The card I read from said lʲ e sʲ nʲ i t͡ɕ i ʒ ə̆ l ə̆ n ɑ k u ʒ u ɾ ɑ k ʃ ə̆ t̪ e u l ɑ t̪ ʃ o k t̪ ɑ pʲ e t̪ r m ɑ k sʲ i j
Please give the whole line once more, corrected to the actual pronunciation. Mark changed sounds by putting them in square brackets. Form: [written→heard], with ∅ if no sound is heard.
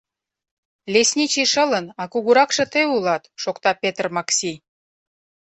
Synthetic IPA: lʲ e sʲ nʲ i t͡ɕ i [ʒ→ʃ] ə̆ l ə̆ n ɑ k u [ʒ→ɣ] u ɾ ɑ k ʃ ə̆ t̪ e u l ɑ t̪ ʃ o k t̪ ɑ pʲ e t̪ r m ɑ k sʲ i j